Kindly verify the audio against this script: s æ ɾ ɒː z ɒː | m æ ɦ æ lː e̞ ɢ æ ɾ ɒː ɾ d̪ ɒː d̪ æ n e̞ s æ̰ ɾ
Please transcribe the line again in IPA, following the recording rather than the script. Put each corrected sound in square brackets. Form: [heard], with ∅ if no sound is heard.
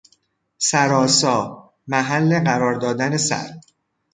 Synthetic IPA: s æ ɾ ɒː [s] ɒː | m æ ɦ æ lː e̞ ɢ æ ɾ ɒː ɾ d̪ ɒː d̪ æ n e̞ s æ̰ ɾ